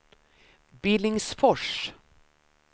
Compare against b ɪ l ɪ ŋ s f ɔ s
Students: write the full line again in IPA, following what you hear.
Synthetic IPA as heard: b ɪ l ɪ ŋ s f ɔ ʂ